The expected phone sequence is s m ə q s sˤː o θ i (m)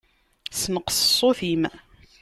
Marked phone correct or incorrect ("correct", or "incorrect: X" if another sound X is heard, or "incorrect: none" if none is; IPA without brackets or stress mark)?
correct